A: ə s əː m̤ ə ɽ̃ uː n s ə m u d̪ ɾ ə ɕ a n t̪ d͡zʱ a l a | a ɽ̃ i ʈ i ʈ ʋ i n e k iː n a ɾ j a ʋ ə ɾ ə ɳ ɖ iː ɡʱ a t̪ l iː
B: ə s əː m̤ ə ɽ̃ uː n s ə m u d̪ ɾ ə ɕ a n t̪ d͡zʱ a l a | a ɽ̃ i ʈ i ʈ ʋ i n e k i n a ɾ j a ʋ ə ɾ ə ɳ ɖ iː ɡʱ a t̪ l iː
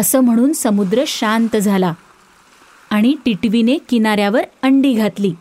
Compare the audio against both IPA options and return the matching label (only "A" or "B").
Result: B